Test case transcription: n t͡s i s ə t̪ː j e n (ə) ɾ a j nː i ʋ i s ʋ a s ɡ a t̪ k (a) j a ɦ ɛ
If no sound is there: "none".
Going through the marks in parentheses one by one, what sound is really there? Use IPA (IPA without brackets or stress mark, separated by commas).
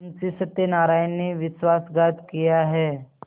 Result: a, i